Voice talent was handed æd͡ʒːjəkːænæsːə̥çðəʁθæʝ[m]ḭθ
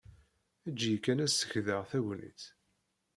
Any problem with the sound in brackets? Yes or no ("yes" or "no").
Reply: yes